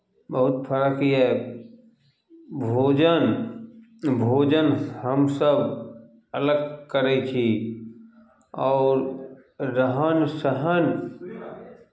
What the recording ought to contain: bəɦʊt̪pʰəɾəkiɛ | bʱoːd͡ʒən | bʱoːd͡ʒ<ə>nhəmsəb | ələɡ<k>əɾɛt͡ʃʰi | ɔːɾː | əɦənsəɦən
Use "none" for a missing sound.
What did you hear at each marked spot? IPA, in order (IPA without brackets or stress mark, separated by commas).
ə, k